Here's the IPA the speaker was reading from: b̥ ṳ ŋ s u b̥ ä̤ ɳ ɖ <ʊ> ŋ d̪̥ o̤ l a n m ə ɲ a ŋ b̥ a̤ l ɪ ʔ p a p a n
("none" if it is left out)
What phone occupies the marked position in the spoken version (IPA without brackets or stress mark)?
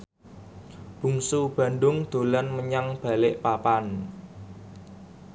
ʊ